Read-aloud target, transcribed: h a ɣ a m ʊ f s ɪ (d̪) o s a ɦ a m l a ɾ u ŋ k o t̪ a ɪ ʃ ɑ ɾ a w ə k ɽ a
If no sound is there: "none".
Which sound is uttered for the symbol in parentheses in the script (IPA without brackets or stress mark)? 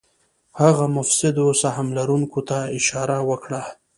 d̪